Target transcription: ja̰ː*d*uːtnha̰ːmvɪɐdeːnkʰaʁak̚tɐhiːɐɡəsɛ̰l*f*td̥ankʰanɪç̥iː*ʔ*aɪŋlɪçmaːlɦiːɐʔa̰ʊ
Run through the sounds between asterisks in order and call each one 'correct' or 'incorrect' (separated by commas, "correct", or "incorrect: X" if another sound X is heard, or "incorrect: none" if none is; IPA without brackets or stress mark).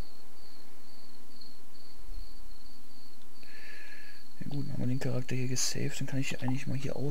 incorrect: ɡ, correct, correct